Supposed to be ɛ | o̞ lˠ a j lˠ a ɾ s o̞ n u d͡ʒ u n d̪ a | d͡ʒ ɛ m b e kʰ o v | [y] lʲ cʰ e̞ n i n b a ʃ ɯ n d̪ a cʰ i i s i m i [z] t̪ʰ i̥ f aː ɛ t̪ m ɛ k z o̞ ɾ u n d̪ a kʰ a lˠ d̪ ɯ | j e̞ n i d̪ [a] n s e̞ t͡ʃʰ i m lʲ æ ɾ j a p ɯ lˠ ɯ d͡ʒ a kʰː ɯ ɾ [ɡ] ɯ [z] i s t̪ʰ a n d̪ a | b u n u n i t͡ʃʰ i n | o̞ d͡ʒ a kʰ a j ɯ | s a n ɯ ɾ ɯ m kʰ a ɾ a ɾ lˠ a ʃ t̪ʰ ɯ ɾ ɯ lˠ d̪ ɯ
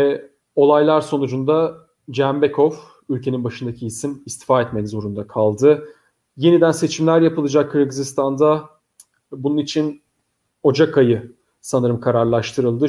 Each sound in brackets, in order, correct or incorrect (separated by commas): correct, incorrect, incorrect, correct, correct